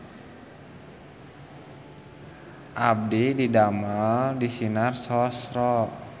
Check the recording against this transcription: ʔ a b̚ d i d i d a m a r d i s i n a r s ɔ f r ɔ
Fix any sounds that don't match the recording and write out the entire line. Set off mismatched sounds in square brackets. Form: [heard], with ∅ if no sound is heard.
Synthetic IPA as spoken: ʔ a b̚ d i d i d a m a [l] d i s i n a r s ɔ [s] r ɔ